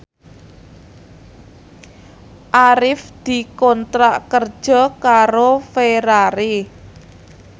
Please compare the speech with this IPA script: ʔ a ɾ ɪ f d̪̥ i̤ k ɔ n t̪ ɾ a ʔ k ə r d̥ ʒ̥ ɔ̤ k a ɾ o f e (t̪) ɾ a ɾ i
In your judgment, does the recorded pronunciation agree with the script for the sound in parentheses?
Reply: no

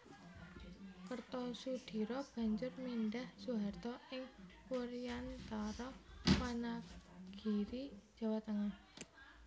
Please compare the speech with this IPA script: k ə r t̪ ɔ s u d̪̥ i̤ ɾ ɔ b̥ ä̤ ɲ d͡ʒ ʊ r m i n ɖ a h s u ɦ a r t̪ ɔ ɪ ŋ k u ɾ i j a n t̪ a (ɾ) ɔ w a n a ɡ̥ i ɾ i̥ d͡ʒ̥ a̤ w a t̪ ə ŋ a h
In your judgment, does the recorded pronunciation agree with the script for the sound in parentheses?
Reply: yes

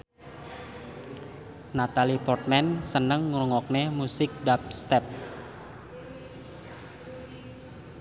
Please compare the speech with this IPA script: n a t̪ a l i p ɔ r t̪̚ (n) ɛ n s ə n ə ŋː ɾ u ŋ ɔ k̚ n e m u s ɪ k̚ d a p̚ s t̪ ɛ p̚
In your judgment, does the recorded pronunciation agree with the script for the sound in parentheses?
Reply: no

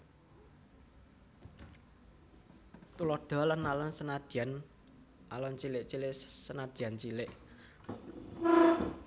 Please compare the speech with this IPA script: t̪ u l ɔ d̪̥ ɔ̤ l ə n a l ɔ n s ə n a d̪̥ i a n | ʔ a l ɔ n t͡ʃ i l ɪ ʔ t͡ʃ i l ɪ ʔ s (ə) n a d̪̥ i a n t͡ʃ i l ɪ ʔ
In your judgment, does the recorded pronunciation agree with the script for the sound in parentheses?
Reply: yes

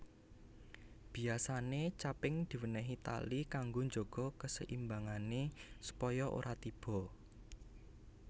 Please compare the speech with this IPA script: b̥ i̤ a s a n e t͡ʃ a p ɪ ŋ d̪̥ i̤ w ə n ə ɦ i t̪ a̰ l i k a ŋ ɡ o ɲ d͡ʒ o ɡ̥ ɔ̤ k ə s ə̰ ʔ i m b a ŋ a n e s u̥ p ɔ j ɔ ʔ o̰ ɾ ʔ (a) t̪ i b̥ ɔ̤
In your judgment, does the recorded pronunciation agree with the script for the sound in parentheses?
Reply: yes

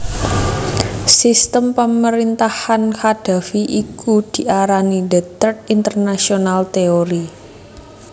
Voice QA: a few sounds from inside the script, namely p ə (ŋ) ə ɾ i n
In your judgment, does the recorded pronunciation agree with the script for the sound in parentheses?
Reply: no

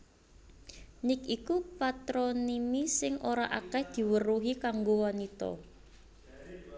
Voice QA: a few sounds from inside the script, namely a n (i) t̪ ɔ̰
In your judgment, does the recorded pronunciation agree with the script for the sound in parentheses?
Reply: yes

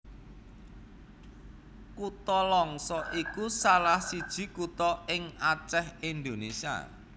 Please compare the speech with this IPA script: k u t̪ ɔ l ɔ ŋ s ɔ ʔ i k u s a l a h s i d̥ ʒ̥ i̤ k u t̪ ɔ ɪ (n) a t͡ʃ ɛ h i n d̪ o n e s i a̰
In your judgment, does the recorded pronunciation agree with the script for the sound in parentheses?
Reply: no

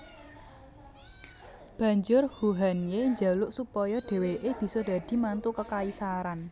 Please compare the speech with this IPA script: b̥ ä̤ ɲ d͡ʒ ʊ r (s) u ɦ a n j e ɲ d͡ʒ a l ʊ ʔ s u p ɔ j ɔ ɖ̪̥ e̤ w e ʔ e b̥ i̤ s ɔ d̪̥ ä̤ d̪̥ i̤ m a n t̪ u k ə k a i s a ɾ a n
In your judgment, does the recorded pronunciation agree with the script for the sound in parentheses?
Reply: no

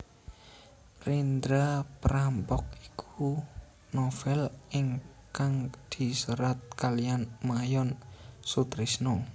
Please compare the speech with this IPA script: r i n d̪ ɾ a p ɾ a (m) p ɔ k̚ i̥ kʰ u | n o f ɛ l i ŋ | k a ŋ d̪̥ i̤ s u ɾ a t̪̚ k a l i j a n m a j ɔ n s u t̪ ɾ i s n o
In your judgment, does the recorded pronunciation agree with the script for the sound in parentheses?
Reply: yes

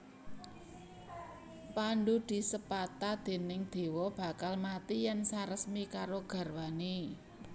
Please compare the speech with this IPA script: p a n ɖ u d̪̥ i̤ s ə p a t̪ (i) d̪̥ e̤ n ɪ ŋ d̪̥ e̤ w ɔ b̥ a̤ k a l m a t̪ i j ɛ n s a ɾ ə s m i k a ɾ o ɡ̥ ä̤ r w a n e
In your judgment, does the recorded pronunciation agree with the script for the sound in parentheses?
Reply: no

